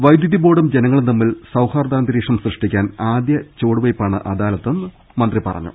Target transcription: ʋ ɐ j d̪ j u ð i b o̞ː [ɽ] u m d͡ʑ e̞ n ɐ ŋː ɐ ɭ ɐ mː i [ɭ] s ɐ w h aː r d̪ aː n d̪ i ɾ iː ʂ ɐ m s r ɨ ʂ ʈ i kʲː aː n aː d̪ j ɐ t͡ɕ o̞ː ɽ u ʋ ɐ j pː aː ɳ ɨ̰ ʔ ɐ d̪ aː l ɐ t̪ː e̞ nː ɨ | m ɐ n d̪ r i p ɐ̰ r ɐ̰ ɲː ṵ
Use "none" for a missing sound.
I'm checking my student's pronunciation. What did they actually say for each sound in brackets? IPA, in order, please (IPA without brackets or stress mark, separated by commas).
ɽ, l